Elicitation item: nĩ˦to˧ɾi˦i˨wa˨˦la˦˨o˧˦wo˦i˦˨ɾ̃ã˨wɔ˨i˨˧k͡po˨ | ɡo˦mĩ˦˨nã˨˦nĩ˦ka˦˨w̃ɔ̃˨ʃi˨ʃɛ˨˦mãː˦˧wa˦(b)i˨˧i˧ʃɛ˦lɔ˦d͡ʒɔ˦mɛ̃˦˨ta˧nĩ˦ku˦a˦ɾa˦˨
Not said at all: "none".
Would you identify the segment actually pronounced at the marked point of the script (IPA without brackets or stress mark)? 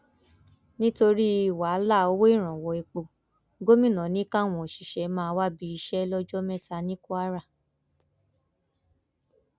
b